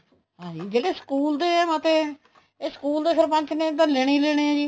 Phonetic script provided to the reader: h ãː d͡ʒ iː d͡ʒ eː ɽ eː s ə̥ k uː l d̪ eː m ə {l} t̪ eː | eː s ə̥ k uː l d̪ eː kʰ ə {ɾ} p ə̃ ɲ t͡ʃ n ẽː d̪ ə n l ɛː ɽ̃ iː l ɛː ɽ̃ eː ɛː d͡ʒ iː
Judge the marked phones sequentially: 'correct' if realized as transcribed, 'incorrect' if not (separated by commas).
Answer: incorrect, correct